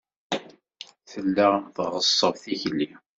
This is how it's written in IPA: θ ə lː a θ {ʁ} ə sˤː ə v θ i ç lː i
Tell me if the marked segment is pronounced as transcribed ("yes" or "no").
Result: yes